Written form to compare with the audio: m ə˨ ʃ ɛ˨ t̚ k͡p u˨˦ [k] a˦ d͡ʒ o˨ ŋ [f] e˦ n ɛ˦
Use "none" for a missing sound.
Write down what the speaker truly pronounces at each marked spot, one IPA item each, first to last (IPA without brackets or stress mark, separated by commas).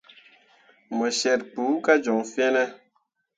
k, f